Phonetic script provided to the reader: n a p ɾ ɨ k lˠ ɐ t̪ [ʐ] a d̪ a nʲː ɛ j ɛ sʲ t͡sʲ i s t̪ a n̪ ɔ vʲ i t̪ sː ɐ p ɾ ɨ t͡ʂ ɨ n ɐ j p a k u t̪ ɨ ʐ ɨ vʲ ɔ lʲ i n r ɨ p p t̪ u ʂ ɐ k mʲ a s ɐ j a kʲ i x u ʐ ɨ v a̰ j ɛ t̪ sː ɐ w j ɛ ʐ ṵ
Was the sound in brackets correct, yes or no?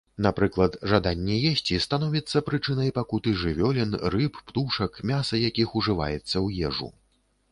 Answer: yes